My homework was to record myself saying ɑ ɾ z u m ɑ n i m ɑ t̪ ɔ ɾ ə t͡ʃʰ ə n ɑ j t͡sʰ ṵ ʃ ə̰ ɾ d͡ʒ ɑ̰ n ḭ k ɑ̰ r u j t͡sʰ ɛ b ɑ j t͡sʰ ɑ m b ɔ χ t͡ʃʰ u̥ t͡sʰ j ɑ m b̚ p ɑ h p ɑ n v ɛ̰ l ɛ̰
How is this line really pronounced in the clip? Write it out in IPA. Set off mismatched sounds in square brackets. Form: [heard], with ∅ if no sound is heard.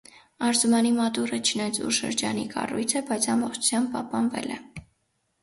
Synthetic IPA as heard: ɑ ɾ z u m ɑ n i m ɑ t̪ [u] ɾ ə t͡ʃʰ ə n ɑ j t͡sʰ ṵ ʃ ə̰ ɾ d͡ʒ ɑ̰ n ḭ k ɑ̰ r u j t͡sʰ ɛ b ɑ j t͡sʰ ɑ m b ɔ χ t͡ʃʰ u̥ t͡sʰ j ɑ m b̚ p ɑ h p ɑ n v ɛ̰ l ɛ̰